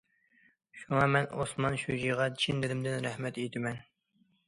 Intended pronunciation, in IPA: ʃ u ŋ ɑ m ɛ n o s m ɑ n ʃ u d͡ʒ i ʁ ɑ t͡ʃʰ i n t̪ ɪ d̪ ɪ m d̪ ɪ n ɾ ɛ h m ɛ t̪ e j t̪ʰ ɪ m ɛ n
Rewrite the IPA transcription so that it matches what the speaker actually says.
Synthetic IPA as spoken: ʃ u ŋ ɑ m ɛ n o s m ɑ n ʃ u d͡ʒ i ʁ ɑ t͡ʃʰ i n d̪ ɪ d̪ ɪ m d̪ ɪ n ɾ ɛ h m ɛ t̪ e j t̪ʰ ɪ m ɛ n